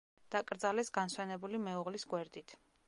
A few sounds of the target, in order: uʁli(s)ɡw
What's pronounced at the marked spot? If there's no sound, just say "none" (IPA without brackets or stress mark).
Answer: s